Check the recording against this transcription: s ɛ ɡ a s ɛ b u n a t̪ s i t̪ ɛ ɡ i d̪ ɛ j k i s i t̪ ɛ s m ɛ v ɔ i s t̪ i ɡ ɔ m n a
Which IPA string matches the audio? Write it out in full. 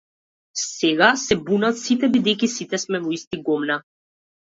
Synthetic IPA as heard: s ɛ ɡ a s ɛ b u n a t̪ s i t̪ ɛ b i d̪ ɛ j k i s i t̪ ɛ s m ɛ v ɔ i s t̪ i ɡ ɔ m n a

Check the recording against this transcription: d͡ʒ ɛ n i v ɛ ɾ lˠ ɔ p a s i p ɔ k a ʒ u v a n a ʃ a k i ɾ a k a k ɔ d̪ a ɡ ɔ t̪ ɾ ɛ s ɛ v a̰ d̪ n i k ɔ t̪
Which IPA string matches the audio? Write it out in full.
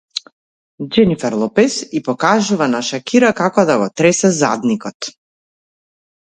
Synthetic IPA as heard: d͡ʒ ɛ n i f ɛ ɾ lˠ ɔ p ɛ s i p ɔ k a ʒ u v a n a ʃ a k i ɾ a k a k ɔ d̪ a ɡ ɔ t̪ ɾ ɛ s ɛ z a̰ d̪ n i k ɔ t̪

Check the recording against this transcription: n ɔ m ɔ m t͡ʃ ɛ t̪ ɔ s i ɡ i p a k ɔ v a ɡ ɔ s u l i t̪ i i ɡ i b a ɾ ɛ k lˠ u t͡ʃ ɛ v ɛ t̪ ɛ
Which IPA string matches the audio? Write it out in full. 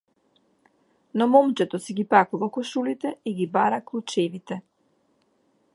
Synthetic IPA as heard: n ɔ m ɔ m t͡ʃ ɛ t̪ ɔ s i ɡ i p a k u v a k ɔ ʃ u l i t̪ ɛ i ɡ i b a ɾ a k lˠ u t͡ʃ ɛ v i t̪ ɛ

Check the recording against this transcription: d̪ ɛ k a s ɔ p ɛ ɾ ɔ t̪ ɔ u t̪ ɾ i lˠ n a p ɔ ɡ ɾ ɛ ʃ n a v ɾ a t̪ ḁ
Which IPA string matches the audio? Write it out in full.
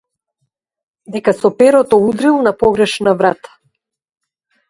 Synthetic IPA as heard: d̪ ɛ k a s ɔ p ɛ ɾ ɔ t̪ ɔ u d̪ ɾ i lˠ n a p ɔ ɡ ɾ ɛ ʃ n a v ɾ a t̪ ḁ

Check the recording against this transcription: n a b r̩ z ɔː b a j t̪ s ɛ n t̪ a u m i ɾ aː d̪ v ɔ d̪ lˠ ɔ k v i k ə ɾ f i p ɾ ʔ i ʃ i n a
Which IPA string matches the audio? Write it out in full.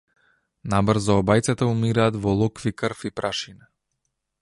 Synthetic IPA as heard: n a b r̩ z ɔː b a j t̪ s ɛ t̪ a u m i ɾ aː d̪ v ɔ lˠ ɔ k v i k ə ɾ f i p ɾ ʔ a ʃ i n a

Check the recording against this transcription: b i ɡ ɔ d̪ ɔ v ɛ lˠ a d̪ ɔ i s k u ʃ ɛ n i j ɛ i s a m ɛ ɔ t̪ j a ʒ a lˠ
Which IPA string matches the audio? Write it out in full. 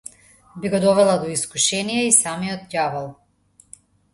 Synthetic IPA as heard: b i ɡ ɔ d̪ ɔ v ɛ lˠ a d̪ ɔ i s k u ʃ ɛ n i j ɛ i s a m i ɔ t̪ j a v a lˠ

